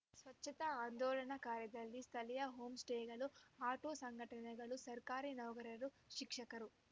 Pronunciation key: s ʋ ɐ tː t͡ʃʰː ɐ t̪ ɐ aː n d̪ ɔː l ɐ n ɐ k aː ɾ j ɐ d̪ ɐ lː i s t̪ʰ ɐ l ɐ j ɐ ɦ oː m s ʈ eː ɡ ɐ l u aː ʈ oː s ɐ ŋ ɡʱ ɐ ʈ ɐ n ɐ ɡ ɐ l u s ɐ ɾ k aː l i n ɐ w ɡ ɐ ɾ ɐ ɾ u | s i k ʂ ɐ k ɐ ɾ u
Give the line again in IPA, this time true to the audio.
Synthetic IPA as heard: s ʋ ɐ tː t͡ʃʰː ɐ t̪ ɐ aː n d̪ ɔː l ɐ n ɐ k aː ɾ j ɐ d̪ ɐ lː i s t̪ʰ ɐ l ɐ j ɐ ɦ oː m s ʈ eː ɡ ɐ l u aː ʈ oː s ɐ ŋ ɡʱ ɐ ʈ ɐ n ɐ ɡ ɐ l u s ɐ ɾ k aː ɾ i n ɐ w ɡ ɐ ɾ ɐ ɾ u | ʃ i k ʂ ɐ k ɐ ɾ u